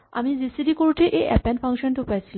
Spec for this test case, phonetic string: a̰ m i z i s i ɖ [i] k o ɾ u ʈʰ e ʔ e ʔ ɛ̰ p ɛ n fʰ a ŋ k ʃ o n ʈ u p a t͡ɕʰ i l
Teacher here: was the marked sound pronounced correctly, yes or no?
yes